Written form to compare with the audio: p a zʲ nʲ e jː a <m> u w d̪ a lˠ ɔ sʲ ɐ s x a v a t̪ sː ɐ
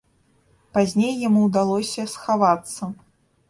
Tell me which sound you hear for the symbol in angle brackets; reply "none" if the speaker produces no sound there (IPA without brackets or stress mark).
m